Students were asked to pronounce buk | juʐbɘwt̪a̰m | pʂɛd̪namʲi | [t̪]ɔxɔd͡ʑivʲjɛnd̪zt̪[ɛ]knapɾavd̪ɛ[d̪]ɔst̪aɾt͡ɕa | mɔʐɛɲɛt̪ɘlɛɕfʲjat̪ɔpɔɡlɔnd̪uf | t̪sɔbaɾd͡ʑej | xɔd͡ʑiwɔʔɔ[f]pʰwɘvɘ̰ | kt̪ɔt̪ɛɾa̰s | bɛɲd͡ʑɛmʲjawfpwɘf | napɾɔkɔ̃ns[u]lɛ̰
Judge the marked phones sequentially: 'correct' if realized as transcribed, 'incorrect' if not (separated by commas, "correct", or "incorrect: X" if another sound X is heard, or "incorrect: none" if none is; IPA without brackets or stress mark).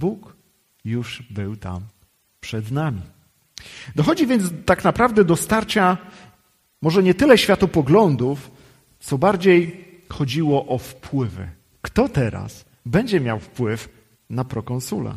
incorrect: d̪, incorrect: a, correct, correct, correct